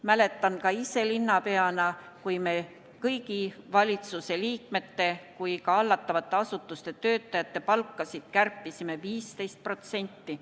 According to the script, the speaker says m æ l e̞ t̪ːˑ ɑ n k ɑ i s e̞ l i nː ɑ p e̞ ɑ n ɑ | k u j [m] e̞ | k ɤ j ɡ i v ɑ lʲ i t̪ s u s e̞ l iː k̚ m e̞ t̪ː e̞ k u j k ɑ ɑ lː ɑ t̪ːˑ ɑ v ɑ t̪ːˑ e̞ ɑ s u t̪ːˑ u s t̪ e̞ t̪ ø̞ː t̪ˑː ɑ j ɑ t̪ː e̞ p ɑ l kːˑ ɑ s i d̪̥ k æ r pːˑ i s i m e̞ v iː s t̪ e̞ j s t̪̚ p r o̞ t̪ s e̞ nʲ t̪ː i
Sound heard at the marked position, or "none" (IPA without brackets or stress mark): m